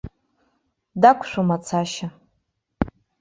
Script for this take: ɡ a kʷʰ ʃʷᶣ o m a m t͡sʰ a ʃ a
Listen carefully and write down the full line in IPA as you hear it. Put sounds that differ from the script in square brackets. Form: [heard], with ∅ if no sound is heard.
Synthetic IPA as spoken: [d] a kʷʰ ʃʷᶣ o m a [∅] t͡sʰ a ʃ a

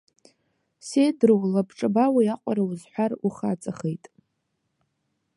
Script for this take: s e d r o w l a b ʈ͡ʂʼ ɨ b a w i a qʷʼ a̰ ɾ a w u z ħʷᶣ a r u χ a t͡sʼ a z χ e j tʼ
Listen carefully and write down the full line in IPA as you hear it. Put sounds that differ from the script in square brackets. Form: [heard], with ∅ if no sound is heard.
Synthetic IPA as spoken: s e d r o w l a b ʈ͡ʂʼ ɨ b a w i a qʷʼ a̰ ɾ a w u z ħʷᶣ a r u χ a t͡sʼ a [∅] χ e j tʼ

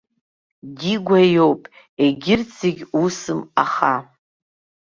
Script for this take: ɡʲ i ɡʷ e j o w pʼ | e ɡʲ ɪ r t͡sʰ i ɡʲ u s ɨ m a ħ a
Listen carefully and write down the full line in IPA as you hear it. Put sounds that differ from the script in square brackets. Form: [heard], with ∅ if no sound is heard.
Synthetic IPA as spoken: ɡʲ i ɡʷ [a] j o w pʼ | e ɡʲ ɪ r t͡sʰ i ɡʲ u s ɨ m a [χ] a

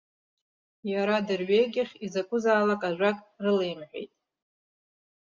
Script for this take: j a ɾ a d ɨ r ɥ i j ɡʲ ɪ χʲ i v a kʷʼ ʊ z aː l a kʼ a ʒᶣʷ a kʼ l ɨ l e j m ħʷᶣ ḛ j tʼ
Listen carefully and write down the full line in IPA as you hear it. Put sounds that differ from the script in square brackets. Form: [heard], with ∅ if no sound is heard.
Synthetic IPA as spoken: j a ɾ a d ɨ r ɥ [e] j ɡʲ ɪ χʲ i [z] a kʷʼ ʊ z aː l a kʼ a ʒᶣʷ a kʼ [r] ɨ l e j m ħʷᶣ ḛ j tʼ

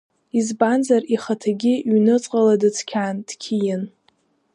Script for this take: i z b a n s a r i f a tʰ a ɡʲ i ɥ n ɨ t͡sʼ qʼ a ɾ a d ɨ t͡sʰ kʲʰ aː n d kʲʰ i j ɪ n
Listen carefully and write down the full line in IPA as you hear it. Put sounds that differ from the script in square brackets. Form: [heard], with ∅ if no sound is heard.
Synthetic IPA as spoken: i z b a n [z] a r i [χ] a tʰ a ɡʲ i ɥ n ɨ t͡sʼ qʼ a [l] a d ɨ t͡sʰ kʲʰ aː n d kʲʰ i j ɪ n

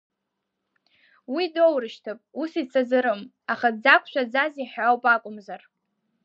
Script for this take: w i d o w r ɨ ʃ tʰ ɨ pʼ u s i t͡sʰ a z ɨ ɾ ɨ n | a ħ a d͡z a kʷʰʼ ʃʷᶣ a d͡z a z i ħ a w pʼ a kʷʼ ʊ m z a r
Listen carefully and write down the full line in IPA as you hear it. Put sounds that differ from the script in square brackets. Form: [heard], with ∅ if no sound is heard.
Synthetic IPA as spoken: w i d o w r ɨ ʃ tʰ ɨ pʼ u s i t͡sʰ a z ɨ ɾ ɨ [m] | a [χ] a d͡z a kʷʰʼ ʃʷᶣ a d͡z a z i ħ a w pʼ a kʷʼ ʊ m z a r

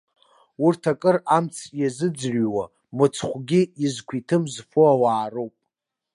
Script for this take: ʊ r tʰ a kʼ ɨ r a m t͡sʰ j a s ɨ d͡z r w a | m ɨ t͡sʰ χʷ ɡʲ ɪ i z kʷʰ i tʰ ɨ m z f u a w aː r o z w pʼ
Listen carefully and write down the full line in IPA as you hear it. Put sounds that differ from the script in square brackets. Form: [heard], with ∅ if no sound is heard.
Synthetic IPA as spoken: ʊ r tʰ a kʼ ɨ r a m t͡sʰ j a [z] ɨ d͡z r w a | m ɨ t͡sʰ χʷ ɡʲ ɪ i z kʷʰ i tʰ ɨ m z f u a w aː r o [∅] w pʼ

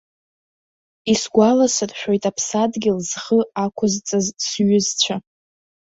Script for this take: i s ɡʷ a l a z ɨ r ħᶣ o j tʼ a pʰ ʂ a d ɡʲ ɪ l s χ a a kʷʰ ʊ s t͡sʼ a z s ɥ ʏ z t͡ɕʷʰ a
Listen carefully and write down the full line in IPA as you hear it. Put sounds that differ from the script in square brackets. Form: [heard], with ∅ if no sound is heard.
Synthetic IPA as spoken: i s ɡʷ a l a [s] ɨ r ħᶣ o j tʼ a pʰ [s] a d ɡʲ ɪ l [z] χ [ə] a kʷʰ ʊ [z] t͡sʼ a z s ɥ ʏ z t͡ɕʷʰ a

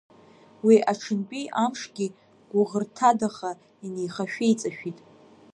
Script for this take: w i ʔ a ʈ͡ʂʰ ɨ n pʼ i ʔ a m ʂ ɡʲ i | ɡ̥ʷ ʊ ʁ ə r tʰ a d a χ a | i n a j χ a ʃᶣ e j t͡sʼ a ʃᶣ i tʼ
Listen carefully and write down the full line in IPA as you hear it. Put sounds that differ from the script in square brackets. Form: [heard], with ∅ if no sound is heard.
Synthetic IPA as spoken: w i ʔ a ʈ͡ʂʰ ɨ n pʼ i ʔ a m ʂ ɡʲ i | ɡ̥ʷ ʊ ʁ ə r tʰ a d a χ a | i n [e] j χ a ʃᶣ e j t͡sʼ a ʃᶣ i tʼ

